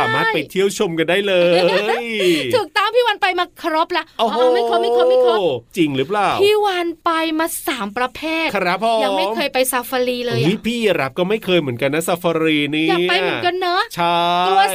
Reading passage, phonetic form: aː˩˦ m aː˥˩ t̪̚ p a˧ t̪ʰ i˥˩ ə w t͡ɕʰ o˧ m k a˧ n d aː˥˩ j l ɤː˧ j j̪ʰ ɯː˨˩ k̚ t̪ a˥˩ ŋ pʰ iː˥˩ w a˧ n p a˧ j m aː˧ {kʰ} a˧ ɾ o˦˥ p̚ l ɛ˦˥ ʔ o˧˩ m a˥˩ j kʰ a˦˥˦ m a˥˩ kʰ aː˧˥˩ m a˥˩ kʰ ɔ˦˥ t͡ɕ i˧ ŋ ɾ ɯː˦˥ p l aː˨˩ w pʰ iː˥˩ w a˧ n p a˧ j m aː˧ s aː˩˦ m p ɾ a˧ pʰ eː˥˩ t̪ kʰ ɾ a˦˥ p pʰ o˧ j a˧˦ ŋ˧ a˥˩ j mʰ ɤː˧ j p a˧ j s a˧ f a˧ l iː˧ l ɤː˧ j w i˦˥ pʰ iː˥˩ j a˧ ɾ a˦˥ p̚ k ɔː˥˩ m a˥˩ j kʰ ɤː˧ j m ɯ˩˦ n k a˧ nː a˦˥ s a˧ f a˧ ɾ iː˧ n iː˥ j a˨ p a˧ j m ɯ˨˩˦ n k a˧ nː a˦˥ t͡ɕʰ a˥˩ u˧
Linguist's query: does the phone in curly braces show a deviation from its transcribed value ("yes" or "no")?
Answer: no